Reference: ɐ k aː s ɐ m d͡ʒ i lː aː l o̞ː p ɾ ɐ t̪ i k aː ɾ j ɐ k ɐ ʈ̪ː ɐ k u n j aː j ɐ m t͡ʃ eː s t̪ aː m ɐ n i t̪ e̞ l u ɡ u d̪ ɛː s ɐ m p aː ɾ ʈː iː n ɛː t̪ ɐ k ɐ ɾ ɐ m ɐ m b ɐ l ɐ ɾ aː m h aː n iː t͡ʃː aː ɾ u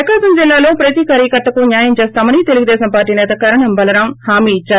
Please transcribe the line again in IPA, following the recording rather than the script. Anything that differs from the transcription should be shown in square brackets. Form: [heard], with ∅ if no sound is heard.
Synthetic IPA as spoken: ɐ k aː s ɐ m d͡ʒ i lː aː l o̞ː p ɾ ɐ t̪ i k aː ɾ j ɐ k ɐ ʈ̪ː ɐ k u n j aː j ɐ m t͡ʃ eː s t̪ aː m ɐ n i t̪ e̞ l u ɡ u d̪ ɛː s ɐ m p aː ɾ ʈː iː n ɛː t̪ ɐ k ɐ ɾ ɐ [ɳ] ɐ m b ɐ l ɐ ɾ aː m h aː [m] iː t͡ʃː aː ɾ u